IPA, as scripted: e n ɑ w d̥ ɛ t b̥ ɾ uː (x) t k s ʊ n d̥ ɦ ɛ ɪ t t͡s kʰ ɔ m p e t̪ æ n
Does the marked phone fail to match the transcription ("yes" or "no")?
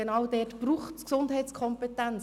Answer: yes